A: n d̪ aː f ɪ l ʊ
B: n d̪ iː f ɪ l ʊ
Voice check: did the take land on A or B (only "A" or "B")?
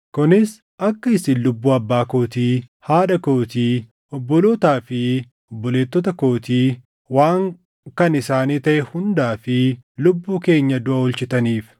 A